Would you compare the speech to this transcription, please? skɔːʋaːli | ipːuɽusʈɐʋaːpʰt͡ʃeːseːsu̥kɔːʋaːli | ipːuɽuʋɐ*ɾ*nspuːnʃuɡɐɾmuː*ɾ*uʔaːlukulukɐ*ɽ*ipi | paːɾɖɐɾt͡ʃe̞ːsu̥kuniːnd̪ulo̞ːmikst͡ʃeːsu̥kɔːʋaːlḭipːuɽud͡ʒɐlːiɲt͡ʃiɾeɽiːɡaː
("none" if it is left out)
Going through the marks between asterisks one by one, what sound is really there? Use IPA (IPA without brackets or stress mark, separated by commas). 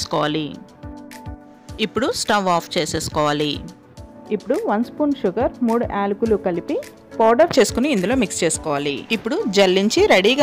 none, ɽ, l